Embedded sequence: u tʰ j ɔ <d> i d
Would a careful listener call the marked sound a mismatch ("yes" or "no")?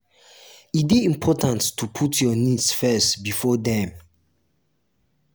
yes